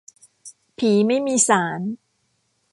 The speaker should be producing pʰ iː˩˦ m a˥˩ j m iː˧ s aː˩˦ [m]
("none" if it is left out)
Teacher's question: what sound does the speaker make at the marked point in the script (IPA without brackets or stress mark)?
n